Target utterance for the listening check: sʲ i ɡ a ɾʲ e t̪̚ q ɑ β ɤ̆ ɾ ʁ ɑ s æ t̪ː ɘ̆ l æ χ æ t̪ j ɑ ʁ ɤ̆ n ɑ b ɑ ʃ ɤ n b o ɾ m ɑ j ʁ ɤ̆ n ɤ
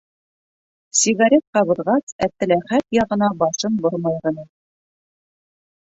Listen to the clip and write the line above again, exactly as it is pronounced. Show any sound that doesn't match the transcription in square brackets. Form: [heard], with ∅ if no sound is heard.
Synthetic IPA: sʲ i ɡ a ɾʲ e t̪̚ q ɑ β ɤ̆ ɾ ʁ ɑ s æ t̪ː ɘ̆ l æ χ æ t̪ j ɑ ʁ ɤ̆ n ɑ b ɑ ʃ ɤ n b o ɾ m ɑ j ʁ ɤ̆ n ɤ